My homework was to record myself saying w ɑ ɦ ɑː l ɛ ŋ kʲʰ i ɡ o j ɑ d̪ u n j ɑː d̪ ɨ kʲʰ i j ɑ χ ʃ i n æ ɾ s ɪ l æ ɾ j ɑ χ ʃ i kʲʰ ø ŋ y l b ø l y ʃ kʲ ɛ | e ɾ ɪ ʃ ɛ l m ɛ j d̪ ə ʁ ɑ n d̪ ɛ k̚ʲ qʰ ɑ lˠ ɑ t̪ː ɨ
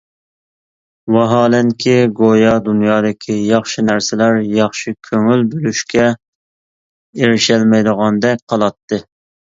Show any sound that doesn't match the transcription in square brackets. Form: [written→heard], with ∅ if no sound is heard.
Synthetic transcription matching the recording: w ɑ ɦ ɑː l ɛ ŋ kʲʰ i ɡ o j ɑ d̪ u n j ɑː d̪ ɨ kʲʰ i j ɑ χ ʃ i n æ ɾ s ɪ l æ ɾ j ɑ χ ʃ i kʲʰ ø ŋ y l b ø l y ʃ kʲ ɛ | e ɾ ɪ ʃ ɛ l m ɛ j d̪ ə ʁ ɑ n d̪ ɛ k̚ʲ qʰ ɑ lˠ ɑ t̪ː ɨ